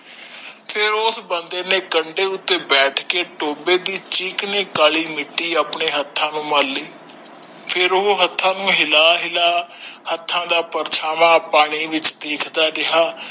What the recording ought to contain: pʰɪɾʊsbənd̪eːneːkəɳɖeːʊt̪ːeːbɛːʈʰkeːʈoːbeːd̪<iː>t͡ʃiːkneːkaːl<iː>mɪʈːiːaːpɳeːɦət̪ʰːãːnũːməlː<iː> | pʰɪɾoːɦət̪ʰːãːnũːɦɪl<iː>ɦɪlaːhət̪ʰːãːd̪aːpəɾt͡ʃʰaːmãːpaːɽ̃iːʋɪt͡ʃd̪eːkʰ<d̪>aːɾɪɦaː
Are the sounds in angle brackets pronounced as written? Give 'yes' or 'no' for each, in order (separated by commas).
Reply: yes, yes, yes, no, yes